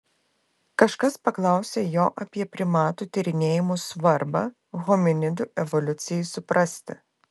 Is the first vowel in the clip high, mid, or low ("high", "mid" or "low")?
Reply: low